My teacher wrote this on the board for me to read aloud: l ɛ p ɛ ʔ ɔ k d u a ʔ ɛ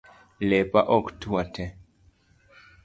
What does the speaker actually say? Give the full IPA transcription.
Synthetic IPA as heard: l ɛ p a ʔ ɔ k t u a t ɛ